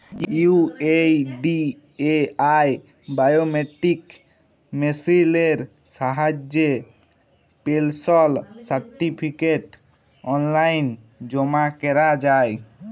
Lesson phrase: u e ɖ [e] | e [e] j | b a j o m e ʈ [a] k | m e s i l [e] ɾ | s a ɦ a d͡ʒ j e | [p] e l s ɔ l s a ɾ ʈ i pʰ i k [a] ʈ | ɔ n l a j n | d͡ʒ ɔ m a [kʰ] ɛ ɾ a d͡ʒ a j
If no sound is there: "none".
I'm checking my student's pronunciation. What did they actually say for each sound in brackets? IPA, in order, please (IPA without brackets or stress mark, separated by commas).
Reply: i, a, i, e, p, e, k